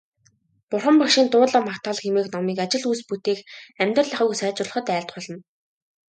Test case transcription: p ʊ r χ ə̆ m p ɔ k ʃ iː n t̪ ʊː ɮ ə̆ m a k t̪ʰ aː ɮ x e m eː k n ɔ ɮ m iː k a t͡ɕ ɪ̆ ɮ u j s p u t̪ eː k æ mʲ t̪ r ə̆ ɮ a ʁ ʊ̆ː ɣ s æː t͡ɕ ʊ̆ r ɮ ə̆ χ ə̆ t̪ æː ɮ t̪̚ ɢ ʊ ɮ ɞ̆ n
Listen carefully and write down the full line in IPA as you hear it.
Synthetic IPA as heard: p ʊ r χ ə̆ m p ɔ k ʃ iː n t̪ ʊː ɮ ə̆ m a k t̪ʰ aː ɮ x e m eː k n ɔ m iː k a t͡ɕ ɪ̆ ɮ u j s p u t̪ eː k æ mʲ t̪ r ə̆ ɮ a χ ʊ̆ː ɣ s æː t͡ɕ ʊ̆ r ɮ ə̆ χ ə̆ t̪ æː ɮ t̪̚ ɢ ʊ ɮ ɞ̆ n

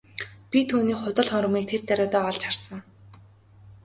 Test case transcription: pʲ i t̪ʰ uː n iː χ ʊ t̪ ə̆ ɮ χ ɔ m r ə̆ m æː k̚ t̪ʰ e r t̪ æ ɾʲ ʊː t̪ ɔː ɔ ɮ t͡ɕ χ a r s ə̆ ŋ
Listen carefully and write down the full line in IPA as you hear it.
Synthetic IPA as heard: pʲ i t̪ʰ uː n iː χ ʊ t̪ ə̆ ɮ χ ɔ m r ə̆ m iː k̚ t̪ʰ e r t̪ æ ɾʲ ʊː t̪ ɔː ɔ ɮ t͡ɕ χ a r s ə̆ ŋ

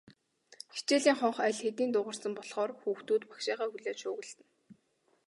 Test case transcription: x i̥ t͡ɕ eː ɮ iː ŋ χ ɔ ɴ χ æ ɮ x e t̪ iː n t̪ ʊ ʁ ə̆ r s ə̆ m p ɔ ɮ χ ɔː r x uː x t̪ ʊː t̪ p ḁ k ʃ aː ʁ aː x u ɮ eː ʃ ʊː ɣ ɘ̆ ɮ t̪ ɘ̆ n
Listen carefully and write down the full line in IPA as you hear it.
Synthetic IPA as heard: x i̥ t͡ɕ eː ɮ iː ŋ χ ɔ ɴ χ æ ɮ x e t̪ iː n t̪ ʊ ʁ ə̆ r s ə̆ m p ɔ ɮ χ ɔː r x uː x t̪ uː t̪ p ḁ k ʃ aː ʁ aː x u ɮ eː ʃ ʊː ɣ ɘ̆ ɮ t̪ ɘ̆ n

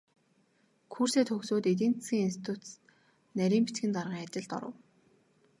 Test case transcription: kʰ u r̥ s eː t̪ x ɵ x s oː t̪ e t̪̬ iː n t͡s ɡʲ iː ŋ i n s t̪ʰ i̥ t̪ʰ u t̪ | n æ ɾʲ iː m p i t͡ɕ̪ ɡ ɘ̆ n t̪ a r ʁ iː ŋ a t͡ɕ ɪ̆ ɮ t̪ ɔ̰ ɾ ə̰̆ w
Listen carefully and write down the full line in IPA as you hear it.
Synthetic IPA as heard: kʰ u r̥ s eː t̪ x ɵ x s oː t̪ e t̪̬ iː n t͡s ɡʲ iː ŋ i n s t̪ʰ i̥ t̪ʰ u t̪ | n æ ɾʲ iː m p i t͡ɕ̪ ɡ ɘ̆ n t̪ a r ʁ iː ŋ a t͡ɕ ɪ̆ ɮ t̪ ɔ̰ ɾ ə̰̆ w

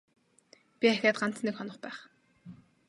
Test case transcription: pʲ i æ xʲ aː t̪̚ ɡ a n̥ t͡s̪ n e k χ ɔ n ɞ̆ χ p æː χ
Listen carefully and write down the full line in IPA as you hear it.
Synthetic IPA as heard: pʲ i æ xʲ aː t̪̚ ɢ a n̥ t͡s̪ n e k χ ɔ n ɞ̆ χ p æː χ

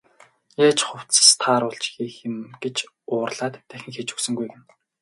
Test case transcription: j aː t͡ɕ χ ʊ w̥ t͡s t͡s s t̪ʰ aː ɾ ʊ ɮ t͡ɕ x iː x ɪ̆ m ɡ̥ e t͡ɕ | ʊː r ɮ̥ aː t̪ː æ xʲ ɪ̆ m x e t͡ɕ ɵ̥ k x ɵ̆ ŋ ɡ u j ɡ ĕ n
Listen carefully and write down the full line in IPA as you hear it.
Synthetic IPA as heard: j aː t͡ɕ χ ʊ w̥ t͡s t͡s s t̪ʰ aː ɾ ʊ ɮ t͡ɕ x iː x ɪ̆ m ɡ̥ e t͡ɕ | ʊː r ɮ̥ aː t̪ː æ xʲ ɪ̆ ŋ x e t͡ɕ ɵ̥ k s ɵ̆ ŋ ɡ u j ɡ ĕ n

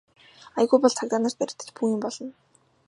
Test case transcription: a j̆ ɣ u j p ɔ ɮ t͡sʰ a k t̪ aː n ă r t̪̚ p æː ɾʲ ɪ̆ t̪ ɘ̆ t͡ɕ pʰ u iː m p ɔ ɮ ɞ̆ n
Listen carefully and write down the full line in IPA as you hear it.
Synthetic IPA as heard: a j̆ ɣ u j p ɔ ɮ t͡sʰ a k t̪ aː n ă r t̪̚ p æ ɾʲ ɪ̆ t̪ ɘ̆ t͡ɕ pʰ u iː m p ɔ ɮ ɞ̆ n

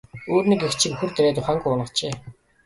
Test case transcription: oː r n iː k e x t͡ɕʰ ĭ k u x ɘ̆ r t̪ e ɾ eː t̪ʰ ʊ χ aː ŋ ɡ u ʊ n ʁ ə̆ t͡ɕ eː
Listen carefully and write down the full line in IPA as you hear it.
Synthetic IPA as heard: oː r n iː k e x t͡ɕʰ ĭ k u x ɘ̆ r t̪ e ɾ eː t̪ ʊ χ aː ŋ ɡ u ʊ n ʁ ə̆ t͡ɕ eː

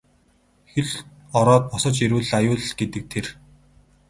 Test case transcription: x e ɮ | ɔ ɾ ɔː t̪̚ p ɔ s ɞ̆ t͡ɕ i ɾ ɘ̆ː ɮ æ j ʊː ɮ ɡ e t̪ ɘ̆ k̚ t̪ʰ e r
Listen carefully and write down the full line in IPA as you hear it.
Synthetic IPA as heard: x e ɮ | ɔ ɾ ɔː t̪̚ p ɔ s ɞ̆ t͡ɕ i ɾ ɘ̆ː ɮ a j ʊː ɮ ɡ e t̪ ɘ̆ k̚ t̪ʰ e r

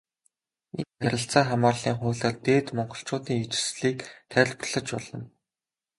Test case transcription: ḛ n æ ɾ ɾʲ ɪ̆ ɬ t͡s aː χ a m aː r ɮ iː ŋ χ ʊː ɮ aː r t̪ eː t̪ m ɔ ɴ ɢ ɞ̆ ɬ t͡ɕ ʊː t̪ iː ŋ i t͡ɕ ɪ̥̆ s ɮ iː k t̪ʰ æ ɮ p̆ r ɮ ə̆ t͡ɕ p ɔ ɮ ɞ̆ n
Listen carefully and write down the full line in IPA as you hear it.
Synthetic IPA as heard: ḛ n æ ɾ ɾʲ ɪ̆ ɬ t͡s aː χ a m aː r ɮ iː ŋ χ ʊː ɮ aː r t̪ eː t̪ m ɔ ɴ ɢ ɞ̆ ɬ t͡ɕ ʊː t̪ iː ŋ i t͡ɕ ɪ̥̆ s ɮ iː k t̪ʰ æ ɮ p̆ r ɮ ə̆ t͡ɕ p ɔ ɮ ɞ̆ n

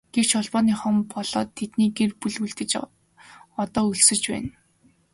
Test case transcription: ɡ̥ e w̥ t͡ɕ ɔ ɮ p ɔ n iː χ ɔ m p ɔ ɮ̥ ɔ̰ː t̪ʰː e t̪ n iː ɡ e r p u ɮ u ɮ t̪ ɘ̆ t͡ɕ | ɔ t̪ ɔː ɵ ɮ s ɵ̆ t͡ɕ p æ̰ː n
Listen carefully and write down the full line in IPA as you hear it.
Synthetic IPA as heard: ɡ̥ e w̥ t͡ɕ ɔ ɮ p ɔː n iː χ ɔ m p ɔ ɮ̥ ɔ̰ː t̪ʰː e t̪ n iː ɡ e r p u ɮ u ɮ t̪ ɘ̆ t͡ɕ | ɔ t̪ ɔː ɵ ɮ s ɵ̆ t͡ɕ p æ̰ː n

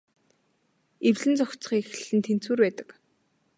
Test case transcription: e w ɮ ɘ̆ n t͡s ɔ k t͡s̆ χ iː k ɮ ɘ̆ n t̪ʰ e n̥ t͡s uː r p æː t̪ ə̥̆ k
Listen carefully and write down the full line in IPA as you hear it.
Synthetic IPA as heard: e w ɮ ɘ̆ n t͡s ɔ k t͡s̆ χ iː x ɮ ɘ̆ n t̪ʰ e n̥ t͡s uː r p æː t̪ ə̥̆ k

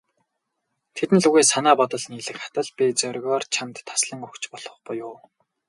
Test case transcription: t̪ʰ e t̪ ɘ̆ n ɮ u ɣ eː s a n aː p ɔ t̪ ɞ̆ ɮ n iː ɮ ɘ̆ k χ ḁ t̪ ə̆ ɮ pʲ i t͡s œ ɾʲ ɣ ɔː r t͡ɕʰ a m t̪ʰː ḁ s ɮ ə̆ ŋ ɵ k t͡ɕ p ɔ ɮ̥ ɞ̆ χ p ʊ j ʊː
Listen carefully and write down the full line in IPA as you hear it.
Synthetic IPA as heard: t̪ʰ e t̪ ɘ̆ n ɮ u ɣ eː s a n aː p ɔ t̪ ɞ̆ ɮ n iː ɮ ɘ̆ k χ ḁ t̪ ə̆ ɮ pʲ i t͡s œ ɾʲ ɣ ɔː r t͡ɕʰ a m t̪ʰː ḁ s ɮ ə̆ ŋ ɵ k t͡ɕ p ɔ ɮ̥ ɞ̆ χ p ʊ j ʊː

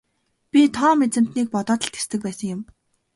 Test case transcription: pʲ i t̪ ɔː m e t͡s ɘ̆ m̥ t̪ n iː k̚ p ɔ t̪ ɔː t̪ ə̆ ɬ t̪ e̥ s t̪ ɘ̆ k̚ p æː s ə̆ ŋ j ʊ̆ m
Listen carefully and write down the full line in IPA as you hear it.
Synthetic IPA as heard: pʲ i t̪ʰ ɔː m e t͡s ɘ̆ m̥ t̪ n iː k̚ p ɔ t̪ ɔː t̪ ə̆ ɬ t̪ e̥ s t̪ ɘ̆ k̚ p æː s ə̆ ŋ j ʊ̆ m

